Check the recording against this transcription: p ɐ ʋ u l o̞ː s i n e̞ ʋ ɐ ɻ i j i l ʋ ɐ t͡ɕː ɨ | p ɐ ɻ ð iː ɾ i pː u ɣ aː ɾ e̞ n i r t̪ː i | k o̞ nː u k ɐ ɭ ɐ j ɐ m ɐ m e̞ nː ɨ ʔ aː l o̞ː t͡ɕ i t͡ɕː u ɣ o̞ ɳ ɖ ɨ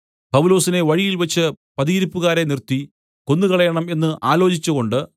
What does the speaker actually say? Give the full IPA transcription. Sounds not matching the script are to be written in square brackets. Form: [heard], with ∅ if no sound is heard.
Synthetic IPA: p ɐ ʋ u l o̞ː s i n e̞ ʋ ɐ ɻ i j i l ʋ ɐ t͡ɕː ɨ | p ɐ [∅] ð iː ɾ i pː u ɣ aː ɾ e̞ n i r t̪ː i | k o̞ nː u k ɐ ɭ ɐ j ɐ [ɳ] ɐ m e̞ nː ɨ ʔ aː l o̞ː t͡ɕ i t͡ɕː u ɣ o̞ ɳ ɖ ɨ

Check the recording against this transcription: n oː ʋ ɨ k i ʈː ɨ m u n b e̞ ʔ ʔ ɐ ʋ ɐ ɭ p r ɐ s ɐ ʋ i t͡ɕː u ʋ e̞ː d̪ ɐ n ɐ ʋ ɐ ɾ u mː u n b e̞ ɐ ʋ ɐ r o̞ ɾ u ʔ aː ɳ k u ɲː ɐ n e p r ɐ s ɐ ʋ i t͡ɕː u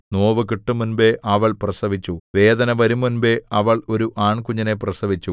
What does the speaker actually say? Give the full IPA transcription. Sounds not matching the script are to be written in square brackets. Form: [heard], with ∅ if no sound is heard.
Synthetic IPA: n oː ʋ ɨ k i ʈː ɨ m u n b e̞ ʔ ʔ ɐ ʋ ɐ ɭ p r ɐ s ɐ ʋ i t͡ɕː u ʋ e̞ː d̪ ɐ n ɐ ʋ ɐ ɾ u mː u n b e̞ ɐ ʋ ɐ [ɭ] o̞ ɾ u ʔ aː ɳ k u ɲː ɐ n e p r ɐ s ɐ ʋ i t͡ɕː u

